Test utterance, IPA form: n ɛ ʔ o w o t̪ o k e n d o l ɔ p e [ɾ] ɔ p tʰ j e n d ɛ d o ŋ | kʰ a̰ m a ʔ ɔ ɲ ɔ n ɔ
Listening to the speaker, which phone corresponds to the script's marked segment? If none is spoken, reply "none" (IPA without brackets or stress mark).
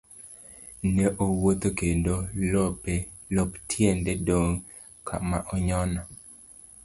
l